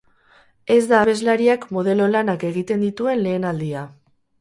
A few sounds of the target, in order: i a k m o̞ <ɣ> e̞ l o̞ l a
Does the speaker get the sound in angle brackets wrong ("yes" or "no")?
yes